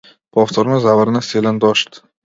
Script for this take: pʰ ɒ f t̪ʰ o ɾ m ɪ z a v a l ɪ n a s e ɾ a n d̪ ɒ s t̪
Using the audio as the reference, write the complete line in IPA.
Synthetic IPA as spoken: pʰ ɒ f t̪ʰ o ɾ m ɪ z a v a ɾ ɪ n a s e l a n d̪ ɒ ʃ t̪

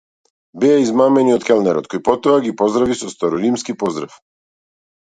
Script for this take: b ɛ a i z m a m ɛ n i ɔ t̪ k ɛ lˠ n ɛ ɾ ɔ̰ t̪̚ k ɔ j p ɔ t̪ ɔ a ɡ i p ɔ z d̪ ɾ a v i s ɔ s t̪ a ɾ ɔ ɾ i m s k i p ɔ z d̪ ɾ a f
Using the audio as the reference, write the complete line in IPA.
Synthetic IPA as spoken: b ɛ a i z m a m ɛ n i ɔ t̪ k ɛ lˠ n ɛ ɾ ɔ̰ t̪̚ k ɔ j p ɔ t̪ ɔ a ɡ i p ɔ z d̪ ɾ a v i s ɔ s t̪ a ɾ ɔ ɾ i m s k i p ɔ z d̪ ɾ a f

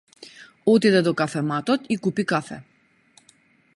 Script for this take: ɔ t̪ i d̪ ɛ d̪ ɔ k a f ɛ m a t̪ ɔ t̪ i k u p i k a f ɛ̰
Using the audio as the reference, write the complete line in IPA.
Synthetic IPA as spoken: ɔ t̪ i d̪ ɛ d̪ ɔ k a f ɛ m a t̪ ɔ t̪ i k u p i k a f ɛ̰

